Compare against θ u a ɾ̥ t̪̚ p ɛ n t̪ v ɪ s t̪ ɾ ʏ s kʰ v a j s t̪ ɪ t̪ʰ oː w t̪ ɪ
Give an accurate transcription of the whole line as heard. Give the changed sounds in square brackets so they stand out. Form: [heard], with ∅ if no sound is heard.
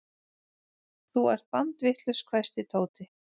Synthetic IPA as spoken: θ u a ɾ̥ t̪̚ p [a] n t̪ v ɪ [h] t̪ [l] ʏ s kʰ v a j s t̪ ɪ t̪ʰ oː w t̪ ɪ

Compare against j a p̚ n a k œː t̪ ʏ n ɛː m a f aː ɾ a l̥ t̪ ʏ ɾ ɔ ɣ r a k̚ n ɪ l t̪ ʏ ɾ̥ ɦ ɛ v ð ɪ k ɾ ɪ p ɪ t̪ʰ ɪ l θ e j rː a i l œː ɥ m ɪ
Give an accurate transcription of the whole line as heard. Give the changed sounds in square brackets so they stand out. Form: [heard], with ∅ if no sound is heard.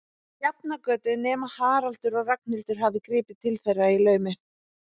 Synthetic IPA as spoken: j a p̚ n a k œː t̪ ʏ n ɛː m a [h] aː ɾ a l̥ t̪ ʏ ɾ ɔ ɣ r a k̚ n ɪ l t̪ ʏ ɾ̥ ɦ [a] v ð ɪ k ɾ [ɪː] p ɪ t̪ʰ ɪ l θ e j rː a i l œː ɥ m ɪ

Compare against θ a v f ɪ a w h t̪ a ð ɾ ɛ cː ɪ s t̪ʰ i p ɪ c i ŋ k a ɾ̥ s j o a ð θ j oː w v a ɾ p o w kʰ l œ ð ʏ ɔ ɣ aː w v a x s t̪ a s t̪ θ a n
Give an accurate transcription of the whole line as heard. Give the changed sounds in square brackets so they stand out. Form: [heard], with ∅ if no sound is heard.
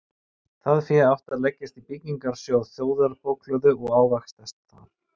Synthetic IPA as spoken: θ a [ð] f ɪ a w h t̪ a ð [l] ɛ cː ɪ s [t̪] i p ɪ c i ŋ k a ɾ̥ s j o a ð θ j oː w [ð] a ɾ p o w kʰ l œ ð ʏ ɔ ɣ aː w v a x s t̪ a s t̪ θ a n

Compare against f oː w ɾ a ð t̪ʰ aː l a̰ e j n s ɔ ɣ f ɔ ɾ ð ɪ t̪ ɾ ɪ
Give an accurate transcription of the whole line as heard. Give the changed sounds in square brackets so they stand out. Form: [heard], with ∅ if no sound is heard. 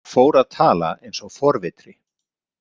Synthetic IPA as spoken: f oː w ɾ a ð t̪ʰ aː l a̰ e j n s ɔ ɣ f ɔ ɾ [v] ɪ t̪ ɾ ɪ

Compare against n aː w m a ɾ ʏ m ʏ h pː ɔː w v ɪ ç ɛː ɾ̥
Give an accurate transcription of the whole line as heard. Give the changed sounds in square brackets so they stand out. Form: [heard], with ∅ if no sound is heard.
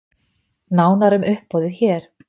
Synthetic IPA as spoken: n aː w [n] a ɾ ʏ m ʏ h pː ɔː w [ð] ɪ ç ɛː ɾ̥

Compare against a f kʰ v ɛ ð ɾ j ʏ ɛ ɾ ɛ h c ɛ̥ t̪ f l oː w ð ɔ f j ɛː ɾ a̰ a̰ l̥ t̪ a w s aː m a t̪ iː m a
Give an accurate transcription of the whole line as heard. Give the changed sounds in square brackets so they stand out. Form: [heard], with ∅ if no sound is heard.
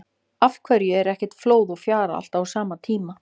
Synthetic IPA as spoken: a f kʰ v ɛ [∅] ɾ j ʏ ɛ ɾ ɛ h c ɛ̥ t̪ f l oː w ð ɔ f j [aː] ɾ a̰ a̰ l̥ t̪ a w s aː m a [t̪ʰ] iː m a

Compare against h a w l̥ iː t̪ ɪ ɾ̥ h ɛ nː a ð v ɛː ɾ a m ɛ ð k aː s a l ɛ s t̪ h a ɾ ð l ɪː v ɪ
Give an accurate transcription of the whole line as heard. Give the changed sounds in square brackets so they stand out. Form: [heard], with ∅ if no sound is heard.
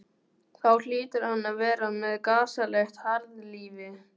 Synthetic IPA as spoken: [θ] a w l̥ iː t̪ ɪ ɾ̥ h [a] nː a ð v ɛː ɾ a m ɛ ð k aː s a l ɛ [x] t̪ h a ɾ ð l [iː] v ɪ

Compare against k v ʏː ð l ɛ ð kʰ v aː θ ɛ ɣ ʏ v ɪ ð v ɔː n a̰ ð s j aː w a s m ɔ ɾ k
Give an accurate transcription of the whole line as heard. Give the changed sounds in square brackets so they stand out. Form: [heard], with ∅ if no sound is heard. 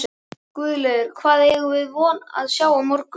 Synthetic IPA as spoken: k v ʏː ð l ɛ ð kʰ v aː [ð] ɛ ɣ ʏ v ɪ ð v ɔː n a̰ ð s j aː w a [∅] m ɔ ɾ k

